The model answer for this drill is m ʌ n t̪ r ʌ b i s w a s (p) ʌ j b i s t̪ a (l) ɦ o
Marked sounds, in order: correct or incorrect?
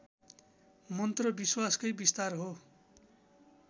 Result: incorrect: k, incorrect: r

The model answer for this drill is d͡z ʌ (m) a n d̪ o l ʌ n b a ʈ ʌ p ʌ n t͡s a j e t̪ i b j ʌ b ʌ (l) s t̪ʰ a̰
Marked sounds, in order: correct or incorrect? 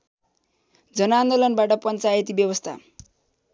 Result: incorrect: n, incorrect: none

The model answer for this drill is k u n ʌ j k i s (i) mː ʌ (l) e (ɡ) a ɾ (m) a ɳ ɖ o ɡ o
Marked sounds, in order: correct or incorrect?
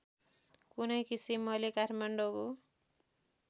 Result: correct, correct, incorrect: k, correct

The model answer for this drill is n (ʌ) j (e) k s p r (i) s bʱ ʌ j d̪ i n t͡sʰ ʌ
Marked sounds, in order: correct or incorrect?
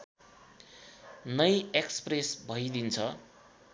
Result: correct, correct, incorrect: e

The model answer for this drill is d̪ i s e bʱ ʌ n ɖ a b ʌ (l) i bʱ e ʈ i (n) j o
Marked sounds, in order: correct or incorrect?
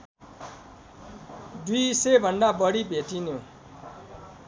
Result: incorrect: ɽ, correct

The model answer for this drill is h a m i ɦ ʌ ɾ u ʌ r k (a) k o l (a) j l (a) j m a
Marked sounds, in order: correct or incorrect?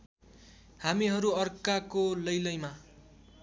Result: correct, incorrect: ʌ, incorrect: ʌ

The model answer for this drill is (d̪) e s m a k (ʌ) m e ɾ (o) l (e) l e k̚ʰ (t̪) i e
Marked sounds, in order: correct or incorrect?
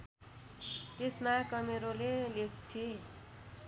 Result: incorrect: t̪, correct, correct, correct, incorrect: t̪ʰ

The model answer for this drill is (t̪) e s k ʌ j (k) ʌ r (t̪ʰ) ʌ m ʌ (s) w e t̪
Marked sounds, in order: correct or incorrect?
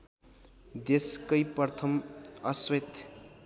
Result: incorrect: d̪, incorrect: p, correct, correct

